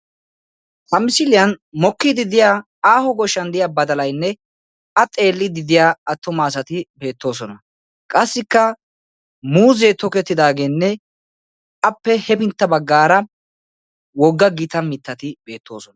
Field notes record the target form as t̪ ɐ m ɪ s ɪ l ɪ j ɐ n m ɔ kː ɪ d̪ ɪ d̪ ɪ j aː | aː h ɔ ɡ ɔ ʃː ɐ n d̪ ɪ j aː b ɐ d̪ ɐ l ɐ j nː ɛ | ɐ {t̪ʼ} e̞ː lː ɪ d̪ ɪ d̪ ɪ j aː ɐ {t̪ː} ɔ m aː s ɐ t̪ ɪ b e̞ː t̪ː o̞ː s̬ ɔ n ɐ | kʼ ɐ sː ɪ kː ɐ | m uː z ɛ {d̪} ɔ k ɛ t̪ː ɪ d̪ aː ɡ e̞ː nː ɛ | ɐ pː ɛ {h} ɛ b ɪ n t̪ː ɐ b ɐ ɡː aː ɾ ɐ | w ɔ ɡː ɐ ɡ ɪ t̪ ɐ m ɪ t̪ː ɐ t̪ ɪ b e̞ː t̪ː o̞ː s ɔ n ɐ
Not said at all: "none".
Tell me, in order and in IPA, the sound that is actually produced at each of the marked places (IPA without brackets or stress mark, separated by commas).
t̪ʼ, t̪ː, t̪, h